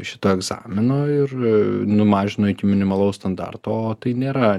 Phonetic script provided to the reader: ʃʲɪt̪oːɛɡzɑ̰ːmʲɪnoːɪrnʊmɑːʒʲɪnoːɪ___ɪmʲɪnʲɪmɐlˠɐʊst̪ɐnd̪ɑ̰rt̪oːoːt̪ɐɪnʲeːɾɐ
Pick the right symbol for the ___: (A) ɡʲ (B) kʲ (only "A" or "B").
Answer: B